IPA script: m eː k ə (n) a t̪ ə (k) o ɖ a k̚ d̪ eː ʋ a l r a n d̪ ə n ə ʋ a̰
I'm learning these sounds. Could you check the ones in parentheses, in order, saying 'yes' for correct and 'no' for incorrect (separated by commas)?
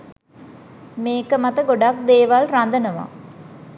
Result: no, no